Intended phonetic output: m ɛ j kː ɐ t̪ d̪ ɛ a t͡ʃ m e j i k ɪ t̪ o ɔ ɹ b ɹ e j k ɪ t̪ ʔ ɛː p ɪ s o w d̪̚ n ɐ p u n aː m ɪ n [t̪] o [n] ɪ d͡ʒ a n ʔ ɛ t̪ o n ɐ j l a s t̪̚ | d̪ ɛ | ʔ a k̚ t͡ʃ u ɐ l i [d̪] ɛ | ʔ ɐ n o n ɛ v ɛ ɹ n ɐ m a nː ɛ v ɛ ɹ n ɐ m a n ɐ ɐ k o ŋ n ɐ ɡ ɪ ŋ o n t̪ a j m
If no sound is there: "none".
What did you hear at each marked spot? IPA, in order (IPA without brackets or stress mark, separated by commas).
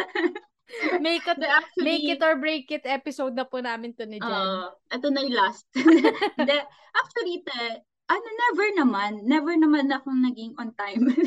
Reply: t̪, n, t̪